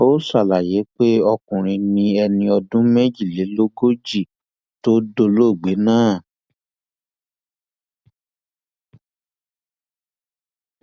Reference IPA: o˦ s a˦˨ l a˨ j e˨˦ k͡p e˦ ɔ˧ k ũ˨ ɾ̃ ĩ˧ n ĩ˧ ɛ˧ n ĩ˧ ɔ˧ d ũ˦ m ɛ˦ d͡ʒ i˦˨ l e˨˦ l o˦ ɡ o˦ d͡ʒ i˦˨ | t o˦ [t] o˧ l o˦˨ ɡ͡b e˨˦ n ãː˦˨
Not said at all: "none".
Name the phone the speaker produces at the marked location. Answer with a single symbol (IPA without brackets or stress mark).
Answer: d